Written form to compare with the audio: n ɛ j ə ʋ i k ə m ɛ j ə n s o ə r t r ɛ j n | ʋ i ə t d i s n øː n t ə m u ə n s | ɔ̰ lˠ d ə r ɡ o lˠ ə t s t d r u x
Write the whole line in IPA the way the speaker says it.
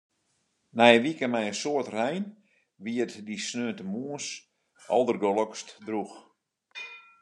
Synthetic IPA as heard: n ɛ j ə ʋ i k ə m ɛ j ə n s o ə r t r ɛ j n | ʋ i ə t d i s n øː n t ə m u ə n s | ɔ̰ lˠ d ə r ɡ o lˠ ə k s t d r u x